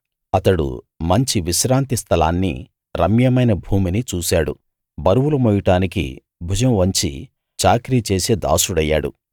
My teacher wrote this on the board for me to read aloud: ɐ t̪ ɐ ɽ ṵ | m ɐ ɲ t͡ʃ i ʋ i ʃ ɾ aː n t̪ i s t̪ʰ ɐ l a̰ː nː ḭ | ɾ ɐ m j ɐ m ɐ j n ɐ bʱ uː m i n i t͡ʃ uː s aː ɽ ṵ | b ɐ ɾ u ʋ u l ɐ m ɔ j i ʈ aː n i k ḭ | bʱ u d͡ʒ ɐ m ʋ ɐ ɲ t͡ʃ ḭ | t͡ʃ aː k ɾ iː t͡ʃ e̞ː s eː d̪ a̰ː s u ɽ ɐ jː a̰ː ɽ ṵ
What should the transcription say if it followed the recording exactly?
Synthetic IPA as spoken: ɐ t̪ ɐ ɽ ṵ | m ɐ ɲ t͡ʃ i ʋ i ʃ ɾ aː n t̪ i s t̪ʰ ɐ l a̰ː nː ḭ | ɾ ɐ m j ɐ m ɐ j n ɐ bʱ uː m i n i t͡ʃ uː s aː ɽ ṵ | b ɐ ɾ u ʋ u l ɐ m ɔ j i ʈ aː n i k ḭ | bʱ u d͡ʒ ɐ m ʋ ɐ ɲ t͡ʃ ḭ | t͡ʃ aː k ɾ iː t͡ʃ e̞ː s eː d̪ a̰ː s u ɽ ɐ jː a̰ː ɽ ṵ